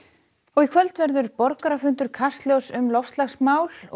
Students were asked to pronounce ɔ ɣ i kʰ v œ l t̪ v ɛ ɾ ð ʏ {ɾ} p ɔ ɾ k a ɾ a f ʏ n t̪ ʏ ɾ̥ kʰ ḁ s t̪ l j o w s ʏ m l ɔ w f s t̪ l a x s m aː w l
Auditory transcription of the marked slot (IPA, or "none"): ɾ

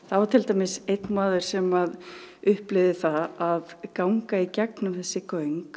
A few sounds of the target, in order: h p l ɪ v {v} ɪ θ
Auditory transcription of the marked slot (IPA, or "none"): ð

